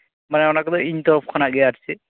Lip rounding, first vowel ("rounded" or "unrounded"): unrounded